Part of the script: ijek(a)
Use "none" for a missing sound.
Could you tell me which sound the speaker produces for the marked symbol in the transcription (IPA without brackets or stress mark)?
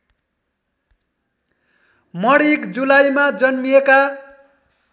a